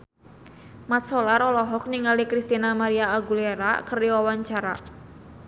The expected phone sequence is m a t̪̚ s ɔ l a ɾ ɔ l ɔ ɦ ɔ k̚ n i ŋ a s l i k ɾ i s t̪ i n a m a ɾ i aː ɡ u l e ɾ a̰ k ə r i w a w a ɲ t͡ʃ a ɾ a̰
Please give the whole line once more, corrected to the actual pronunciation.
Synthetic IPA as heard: m a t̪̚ s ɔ l a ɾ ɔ l ɔ ɦ ɔ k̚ n i ŋ a l i k ɾ i s t̪ i n a m a ɾ i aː ɡ u l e ɾ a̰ k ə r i w a w a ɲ t͡ʃ a ɾ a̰